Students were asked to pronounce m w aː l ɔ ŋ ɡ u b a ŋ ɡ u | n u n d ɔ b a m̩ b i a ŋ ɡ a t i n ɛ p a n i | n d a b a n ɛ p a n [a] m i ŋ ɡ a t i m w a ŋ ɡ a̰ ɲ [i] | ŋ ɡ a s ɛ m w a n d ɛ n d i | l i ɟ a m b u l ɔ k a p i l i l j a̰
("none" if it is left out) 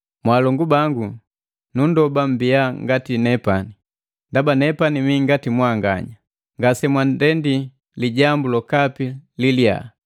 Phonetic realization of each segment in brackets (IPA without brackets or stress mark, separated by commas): i, a